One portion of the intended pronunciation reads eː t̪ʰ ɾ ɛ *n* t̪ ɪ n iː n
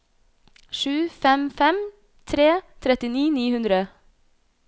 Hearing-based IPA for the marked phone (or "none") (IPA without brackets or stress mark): none